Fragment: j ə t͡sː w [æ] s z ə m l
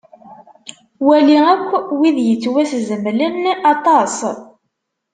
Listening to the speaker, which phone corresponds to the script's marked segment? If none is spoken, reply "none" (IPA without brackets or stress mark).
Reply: æ